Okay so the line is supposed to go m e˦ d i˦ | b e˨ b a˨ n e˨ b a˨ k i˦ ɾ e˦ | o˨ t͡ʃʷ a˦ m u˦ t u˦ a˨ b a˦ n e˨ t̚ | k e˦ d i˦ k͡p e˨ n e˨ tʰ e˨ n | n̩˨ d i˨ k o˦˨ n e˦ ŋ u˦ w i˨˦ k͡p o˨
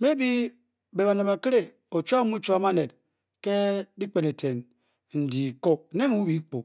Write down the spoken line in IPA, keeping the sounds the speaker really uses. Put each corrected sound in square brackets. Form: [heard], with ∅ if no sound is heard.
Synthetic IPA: m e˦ [b] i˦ | b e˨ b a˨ n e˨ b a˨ k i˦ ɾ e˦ | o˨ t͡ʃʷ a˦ m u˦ [t͡ʃ] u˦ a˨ [m] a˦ n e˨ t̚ | k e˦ d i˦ k͡p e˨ n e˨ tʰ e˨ n | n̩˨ d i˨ k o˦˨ n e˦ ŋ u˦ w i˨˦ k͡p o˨